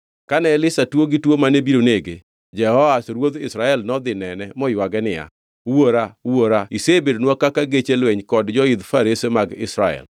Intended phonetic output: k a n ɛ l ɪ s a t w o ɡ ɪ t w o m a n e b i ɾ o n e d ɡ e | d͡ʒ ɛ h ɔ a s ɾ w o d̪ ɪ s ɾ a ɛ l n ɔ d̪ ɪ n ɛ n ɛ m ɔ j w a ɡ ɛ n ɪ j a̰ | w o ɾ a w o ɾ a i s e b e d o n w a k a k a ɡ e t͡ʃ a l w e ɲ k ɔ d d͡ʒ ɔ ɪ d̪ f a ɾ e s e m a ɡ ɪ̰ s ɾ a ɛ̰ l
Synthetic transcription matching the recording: k a n ɛ l ɪ s a t w o ɡ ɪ t w o m a n e b i ɾ o n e ɡ e | d͡ʒ ɛ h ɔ a s ɾ w o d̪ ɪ s ɾ a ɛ l n ɔ d̪ ɪ n ɛ n ɛ m ɔ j w a ɡ ɛ n ɪ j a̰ | w o ɾ a w o ɾ a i s e b e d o n w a k a k a ɡ e t͡ʃ e l w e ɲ k ɔ d d͡ʒ ɔ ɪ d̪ f a ɾ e s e m a ɡ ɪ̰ s ɾ a ɛ̰ l